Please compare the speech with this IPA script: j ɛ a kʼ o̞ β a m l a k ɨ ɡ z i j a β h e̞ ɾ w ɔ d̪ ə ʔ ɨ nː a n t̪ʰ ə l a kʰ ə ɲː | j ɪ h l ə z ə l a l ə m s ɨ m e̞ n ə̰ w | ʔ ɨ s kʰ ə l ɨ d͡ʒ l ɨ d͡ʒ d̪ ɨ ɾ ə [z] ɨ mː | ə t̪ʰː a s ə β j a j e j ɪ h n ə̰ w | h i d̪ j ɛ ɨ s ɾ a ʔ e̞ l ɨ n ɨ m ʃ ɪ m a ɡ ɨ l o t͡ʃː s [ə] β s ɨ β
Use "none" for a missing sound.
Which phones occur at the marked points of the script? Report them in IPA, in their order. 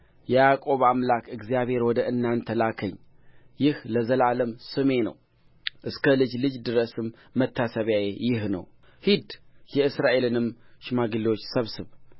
s, ə

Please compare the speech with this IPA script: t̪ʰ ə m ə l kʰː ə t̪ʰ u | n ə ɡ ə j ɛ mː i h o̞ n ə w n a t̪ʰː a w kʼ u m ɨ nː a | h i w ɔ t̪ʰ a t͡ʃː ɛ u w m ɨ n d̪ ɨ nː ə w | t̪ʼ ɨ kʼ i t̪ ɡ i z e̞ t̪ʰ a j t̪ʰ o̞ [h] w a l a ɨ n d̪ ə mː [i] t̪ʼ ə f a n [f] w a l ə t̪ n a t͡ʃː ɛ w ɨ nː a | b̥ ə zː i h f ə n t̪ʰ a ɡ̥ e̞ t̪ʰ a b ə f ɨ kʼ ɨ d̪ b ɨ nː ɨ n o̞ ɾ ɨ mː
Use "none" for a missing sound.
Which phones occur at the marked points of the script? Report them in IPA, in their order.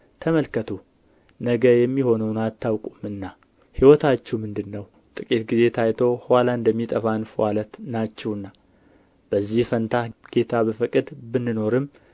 h, i, f

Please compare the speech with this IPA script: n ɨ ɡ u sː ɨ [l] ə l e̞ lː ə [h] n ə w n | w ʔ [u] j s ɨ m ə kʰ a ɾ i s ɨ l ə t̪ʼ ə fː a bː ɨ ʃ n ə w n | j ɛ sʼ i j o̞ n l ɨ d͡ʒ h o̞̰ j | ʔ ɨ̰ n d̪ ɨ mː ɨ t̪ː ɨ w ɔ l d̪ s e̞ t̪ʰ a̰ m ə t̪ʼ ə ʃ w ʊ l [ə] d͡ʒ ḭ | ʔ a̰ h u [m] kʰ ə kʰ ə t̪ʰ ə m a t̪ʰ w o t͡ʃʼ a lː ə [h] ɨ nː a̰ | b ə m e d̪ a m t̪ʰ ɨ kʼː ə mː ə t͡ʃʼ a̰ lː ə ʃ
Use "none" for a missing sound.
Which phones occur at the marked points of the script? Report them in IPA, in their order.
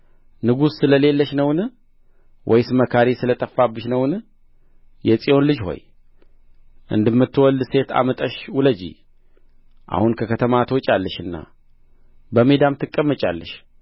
l, ʃ, ɔ, ə, n, ʃ

